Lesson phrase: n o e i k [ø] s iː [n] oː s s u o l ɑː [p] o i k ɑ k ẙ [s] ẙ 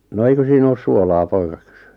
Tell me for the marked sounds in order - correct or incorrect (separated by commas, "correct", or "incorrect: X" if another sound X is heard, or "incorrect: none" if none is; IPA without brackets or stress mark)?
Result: correct, correct, correct, correct